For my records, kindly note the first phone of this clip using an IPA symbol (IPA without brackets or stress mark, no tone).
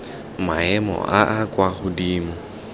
m